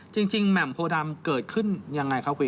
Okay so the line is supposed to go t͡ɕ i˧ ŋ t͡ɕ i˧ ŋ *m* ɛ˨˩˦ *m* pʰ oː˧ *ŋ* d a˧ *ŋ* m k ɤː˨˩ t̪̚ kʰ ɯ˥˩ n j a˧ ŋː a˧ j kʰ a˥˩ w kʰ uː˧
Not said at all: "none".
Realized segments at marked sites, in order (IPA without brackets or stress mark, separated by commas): m, m, none, none